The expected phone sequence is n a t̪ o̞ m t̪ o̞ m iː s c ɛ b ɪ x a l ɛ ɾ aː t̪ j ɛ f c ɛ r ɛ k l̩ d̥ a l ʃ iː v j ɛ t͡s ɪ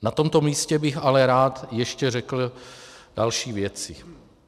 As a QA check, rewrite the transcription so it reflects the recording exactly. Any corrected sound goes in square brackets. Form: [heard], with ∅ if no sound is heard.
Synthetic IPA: n a t̪ o̞ m t̪ o̞ m iː s c ɛ b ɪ x a l ɛ ɾ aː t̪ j ɛ [ʃ] c ɛ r ɛ k l̩ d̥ a l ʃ iː v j ɛ t͡s ɪ

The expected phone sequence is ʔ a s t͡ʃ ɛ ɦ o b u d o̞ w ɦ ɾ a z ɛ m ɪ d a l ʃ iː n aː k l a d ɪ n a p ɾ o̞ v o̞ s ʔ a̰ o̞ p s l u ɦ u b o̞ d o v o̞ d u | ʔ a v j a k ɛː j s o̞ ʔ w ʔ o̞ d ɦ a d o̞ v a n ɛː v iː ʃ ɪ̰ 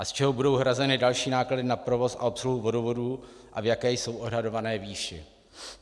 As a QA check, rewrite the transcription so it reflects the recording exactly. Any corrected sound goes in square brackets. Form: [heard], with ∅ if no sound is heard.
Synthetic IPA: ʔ a s t͡ʃ ɛ ɦ o b u d o̞ w ɦ ɾ a z ɛ [n] ɪ d a l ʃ iː n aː k l a d ɪ n a p ɾ o̞ v o̞ s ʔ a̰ o̞ p s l u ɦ u [v] o̞ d o v o̞ d u | ʔ a v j a k ɛː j s o̞ [∅] w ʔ o̞ d ɦ a d o̞ v a n ɛː v iː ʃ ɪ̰

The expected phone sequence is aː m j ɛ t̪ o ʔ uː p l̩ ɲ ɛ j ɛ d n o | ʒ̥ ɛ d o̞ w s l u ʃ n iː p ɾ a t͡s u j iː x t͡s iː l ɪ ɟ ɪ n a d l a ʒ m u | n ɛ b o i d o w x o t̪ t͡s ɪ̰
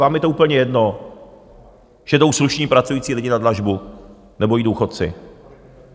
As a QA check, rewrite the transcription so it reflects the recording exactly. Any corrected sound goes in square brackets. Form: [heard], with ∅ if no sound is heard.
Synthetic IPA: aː m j ɛ t̪ o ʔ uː p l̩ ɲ ɛ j ɛ d n o | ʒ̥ ɛ d o̞ w s l u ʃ [ɲ] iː p ɾ a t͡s u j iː [∅] t͡s iː l ɪ ɟ ɪ n a d l a ʒ [b] u | n ɛ b o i d o w x o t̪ t͡s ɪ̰

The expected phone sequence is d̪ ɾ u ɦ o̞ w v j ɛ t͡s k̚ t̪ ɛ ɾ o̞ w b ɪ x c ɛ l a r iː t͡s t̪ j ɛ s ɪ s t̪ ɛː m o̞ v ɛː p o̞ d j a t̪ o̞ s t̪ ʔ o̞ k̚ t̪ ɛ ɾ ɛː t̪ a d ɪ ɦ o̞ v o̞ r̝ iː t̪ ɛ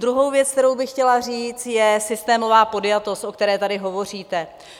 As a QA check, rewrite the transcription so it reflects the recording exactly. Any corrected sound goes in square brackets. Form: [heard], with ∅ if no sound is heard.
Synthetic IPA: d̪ ɾ u ɦ o̞ w v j ɛ t͡s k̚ t̪ ɛ ɾ o̞ w b ɪ x c ɛ l a r iː t͡s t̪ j ɛ s ɪ s t̪ ɛː m o̞ v [aː] p o̞ d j a t̪ o̞ s t̪ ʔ o̞ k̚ t̪ ɛ ɾ ɛː t̪ a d ɪ ɦ o̞ v o̞ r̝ iː t̪ ɛ

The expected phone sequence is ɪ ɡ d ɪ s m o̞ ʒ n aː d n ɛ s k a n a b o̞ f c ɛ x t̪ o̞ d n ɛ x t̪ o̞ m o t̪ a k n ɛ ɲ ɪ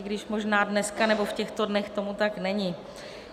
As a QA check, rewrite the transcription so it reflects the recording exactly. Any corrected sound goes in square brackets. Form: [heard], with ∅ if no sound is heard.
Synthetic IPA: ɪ ɡ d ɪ [ʃ] m o̞ ʒ n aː d n ɛ s k a n [ɛ] b o̞ f c ɛ x t̪ o̞ d n ɛ x t̪ o̞ m [u] t̪ a k n ɛ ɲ ɪ

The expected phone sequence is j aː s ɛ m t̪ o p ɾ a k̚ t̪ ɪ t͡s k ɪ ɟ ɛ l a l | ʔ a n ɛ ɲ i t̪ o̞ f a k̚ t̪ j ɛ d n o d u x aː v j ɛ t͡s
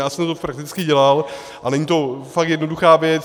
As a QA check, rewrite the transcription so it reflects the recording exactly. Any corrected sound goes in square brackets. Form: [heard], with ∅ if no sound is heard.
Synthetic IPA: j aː s ɛ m t̪ o p ɾ a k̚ t̪ ɪ t͡s k ɪ ɟ ɛ l a l | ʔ a n ɛ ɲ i t̪ o̞ f a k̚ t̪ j ɛ d n o d u x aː v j ɛ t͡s

